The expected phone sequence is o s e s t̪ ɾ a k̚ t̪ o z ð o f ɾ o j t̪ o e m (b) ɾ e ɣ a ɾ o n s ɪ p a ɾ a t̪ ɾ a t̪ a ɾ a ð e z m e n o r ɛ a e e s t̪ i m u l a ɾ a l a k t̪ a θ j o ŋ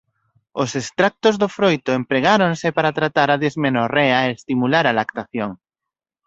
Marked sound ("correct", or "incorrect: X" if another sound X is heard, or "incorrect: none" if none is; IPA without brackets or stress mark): incorrect: p